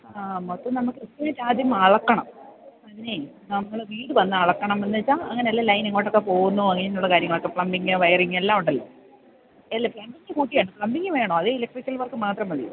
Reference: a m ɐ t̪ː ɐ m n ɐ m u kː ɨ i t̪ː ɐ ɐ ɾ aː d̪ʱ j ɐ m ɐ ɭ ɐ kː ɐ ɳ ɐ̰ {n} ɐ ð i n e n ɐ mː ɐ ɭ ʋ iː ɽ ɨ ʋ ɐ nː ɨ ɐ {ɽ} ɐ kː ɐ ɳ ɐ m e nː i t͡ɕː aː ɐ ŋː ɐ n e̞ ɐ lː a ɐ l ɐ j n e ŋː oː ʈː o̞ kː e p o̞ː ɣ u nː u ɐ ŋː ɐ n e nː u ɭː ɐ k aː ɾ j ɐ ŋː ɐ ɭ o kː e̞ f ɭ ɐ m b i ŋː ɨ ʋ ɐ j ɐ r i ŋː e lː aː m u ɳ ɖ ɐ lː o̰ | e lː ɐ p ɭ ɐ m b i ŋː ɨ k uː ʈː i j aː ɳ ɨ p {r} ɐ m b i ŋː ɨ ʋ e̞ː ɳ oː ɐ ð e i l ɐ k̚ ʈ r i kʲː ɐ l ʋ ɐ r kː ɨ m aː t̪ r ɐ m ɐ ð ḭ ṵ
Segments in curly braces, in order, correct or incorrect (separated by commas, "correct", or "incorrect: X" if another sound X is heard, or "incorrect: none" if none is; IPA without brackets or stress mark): incorrect: m, incorrect: ɭ, incorrect: ɭ